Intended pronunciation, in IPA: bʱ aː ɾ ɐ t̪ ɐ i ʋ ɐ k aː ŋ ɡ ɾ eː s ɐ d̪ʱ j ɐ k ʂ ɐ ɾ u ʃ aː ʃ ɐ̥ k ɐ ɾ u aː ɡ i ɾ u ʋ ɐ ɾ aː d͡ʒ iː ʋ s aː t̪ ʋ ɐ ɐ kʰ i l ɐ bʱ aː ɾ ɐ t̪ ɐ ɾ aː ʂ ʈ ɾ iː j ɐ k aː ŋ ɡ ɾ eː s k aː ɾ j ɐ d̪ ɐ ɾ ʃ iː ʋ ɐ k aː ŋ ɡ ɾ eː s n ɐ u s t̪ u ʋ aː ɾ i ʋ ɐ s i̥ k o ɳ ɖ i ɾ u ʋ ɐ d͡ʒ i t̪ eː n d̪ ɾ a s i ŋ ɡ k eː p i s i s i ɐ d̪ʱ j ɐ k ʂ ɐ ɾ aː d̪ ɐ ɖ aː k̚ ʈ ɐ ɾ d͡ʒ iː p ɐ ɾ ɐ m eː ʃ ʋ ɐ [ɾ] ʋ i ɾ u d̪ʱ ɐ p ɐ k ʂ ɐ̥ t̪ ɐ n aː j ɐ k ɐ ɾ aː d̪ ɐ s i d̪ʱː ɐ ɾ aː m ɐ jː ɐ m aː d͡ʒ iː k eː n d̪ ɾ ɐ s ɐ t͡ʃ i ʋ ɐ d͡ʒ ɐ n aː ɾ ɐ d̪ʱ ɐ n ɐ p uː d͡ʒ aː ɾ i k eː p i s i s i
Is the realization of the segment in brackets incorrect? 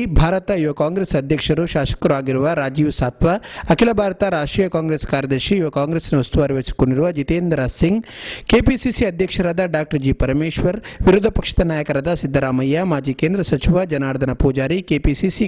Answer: no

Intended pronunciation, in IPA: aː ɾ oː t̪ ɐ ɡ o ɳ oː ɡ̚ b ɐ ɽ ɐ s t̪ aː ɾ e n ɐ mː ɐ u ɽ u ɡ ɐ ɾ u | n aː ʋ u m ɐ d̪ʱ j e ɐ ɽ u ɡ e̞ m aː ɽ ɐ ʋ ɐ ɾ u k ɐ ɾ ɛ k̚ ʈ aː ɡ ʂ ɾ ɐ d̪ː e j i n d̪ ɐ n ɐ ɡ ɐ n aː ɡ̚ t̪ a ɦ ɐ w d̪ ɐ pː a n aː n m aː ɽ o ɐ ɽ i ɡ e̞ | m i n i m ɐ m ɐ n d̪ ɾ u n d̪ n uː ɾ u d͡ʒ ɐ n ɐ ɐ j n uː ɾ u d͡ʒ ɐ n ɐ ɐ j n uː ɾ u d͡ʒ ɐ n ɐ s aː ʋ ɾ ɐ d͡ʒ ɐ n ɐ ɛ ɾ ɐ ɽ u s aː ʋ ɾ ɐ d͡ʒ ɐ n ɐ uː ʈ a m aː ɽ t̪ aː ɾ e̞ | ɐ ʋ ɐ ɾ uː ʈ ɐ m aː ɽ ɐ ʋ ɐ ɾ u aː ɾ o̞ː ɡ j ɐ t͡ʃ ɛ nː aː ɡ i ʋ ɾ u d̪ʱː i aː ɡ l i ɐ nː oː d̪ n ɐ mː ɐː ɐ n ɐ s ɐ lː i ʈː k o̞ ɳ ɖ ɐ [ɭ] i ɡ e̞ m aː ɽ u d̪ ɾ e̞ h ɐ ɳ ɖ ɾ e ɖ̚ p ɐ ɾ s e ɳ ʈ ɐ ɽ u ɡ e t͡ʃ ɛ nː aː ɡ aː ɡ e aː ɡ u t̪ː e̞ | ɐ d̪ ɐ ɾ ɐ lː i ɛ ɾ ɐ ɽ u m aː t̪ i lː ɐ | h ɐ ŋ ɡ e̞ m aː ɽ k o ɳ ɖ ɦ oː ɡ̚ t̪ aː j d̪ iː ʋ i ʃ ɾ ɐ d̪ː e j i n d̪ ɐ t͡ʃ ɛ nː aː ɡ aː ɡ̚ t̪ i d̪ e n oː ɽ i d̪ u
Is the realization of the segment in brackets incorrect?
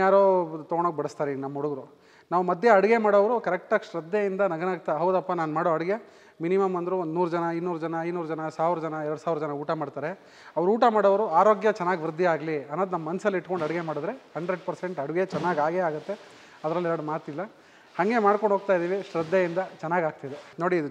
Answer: yes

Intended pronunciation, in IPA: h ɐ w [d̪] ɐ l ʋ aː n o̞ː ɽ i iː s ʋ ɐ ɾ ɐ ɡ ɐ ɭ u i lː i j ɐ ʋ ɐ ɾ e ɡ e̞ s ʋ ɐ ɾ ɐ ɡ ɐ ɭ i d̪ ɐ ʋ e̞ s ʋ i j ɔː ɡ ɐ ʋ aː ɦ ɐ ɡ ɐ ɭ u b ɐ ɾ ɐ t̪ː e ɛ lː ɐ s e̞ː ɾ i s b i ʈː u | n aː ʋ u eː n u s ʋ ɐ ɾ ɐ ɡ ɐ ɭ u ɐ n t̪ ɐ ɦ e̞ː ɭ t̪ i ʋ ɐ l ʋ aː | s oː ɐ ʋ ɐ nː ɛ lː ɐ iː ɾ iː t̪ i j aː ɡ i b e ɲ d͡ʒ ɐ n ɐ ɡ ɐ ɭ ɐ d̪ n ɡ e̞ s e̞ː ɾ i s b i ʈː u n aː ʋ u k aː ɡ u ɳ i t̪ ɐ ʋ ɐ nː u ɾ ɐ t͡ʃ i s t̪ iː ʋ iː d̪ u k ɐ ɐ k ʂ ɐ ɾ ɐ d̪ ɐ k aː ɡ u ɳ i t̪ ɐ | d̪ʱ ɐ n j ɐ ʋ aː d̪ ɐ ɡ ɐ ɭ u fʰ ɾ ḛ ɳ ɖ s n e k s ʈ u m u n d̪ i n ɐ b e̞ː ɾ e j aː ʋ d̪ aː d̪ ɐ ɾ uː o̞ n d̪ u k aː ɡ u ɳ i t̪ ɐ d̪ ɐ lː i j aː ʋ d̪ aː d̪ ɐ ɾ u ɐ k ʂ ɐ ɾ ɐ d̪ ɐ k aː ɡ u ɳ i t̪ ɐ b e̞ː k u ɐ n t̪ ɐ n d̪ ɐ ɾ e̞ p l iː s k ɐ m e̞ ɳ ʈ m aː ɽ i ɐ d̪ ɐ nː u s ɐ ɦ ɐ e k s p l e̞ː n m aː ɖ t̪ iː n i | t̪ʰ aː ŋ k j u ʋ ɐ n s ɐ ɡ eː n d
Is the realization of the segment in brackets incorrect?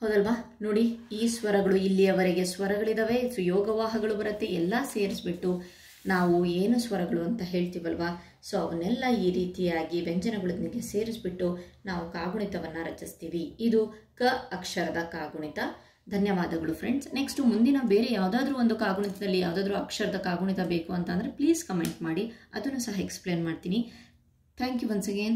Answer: no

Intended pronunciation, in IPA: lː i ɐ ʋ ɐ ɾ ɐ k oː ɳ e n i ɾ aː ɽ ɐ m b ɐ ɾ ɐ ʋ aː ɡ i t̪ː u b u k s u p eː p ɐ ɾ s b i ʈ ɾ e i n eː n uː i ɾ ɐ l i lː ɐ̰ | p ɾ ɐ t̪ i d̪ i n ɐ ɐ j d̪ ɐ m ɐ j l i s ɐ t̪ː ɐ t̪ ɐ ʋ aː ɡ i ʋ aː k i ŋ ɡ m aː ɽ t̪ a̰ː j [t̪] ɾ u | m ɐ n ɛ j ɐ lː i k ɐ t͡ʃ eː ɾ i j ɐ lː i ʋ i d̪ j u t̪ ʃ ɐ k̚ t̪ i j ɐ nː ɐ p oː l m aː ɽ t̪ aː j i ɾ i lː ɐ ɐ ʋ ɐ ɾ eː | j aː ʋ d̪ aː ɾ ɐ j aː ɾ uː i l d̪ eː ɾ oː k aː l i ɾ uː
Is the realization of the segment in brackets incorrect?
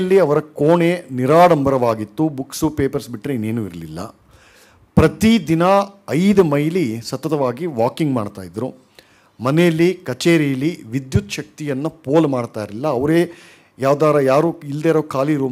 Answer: yes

